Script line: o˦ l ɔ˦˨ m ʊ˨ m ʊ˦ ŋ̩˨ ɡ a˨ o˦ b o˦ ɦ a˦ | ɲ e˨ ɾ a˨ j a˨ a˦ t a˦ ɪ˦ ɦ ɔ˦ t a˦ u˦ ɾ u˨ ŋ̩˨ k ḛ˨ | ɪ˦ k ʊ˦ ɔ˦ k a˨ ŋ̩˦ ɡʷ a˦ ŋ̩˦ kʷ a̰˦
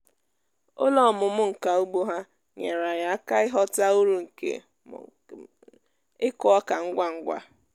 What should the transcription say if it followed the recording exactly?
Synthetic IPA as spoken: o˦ l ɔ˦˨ m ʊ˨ m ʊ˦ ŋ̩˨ k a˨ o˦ ɡ͡b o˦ ɦ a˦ | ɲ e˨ ɾ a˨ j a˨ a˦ k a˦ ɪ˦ ɦ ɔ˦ t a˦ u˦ ɾ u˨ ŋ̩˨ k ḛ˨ | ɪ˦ k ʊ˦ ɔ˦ k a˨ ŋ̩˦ ɡʷ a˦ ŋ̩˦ ɡʷ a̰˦